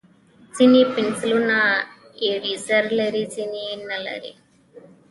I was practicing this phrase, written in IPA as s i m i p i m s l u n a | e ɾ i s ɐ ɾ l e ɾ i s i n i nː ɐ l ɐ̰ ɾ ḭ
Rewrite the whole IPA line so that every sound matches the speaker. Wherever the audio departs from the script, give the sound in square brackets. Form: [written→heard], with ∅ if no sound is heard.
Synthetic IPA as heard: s i [m→n] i p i [m→n] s l u n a | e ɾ i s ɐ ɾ l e ɾ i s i n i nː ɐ l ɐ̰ ɾ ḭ

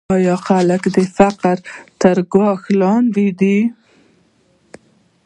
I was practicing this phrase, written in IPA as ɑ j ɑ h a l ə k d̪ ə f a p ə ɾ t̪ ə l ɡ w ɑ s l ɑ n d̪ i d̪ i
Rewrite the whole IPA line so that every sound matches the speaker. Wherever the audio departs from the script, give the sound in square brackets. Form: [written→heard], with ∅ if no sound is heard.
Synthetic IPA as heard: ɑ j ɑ [h→x] a l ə k d̪ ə f a [p→q] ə ɾ t̪ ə [l→ɾ] ɡ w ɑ [s→x] l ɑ n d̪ i d̪ i

